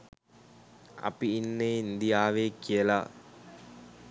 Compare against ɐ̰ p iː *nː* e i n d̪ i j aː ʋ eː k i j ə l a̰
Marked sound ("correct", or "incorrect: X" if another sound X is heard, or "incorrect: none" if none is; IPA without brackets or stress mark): correct